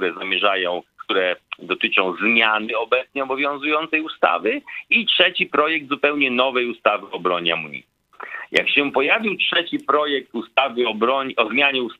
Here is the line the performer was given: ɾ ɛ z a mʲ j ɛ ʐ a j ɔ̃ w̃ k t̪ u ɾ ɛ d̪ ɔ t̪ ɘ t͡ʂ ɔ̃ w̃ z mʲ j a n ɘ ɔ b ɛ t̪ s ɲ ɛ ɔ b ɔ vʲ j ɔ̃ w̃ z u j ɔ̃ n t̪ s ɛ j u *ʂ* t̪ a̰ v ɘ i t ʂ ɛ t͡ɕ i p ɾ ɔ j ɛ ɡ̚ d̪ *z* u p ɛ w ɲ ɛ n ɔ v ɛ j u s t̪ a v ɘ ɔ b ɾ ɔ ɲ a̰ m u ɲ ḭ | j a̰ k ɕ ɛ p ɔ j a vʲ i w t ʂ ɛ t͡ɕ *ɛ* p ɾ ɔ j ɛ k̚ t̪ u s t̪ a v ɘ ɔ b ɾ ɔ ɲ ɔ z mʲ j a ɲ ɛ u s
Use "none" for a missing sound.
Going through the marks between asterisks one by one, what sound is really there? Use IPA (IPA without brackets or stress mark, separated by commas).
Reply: s, z, i